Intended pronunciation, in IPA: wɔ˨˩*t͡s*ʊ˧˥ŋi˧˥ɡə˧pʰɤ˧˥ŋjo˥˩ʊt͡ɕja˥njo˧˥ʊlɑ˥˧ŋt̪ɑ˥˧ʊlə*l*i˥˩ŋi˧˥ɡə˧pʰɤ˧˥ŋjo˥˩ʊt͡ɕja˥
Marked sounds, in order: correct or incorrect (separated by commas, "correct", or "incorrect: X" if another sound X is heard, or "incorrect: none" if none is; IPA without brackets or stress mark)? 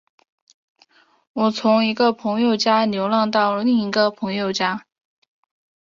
incorrect: t͡sʰ, correct